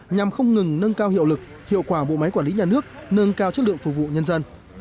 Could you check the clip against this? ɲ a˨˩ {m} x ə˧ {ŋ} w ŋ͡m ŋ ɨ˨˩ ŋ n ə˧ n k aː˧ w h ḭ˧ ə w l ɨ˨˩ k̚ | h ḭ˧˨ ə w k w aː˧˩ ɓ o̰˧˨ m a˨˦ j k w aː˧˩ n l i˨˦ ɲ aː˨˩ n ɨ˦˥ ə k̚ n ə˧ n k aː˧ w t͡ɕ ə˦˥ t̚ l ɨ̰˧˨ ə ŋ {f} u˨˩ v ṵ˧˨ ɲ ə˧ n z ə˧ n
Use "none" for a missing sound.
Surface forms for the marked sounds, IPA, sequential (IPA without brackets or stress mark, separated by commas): m, none, f